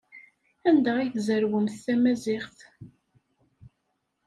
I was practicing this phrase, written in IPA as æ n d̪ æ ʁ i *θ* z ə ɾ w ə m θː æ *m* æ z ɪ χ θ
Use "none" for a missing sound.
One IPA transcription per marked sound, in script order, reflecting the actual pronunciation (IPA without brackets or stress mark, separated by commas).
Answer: θ, m